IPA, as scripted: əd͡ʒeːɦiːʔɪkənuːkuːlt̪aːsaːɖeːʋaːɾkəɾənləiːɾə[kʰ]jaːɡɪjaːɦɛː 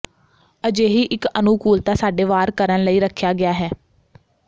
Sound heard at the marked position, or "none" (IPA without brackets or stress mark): kʰ